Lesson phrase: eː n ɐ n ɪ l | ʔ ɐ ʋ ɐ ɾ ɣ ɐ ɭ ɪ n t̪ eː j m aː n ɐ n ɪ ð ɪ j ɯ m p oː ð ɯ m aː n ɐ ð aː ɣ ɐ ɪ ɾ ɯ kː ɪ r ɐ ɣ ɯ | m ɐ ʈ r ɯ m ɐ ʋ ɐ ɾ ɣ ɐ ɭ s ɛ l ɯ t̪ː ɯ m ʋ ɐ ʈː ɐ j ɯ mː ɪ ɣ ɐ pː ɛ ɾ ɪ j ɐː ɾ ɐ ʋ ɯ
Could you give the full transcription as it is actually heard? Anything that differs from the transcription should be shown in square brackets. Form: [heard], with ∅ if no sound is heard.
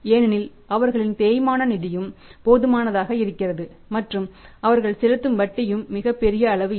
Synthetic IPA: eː n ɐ n ɪ l | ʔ ɐ ʋ ɐ ɾ ɣ ɐ ɭ ɪ n t̪ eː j m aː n ɐ n ɪ ð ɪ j ɯ m p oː ð ɯ m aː n ɐ ð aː ɣ ɐ ɪ ɾ ɯ kː ɪ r ɐ [ð] ɯ | m ɐ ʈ r ɯ m ɐ ʋ ɐ ɾ ɣ ɐ ɭ s ɛ l ɯ t̪ː ɯ m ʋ ɐ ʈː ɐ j ɯ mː ɪ ɣ ɐ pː ɛ ɾ ɪ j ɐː [ɭ] ɐ ʋ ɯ